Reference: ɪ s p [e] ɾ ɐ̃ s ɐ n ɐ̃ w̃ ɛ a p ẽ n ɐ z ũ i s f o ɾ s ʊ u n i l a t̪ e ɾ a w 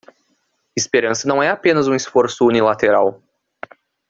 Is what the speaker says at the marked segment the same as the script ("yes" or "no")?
yes